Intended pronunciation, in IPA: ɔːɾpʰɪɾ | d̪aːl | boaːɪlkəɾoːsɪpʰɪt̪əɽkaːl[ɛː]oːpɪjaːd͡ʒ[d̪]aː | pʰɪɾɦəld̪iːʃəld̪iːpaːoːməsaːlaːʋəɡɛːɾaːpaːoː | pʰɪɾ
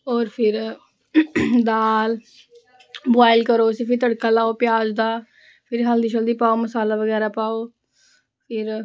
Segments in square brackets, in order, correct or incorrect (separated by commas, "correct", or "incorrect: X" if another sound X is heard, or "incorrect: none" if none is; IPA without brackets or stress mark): incorrect: aː, correct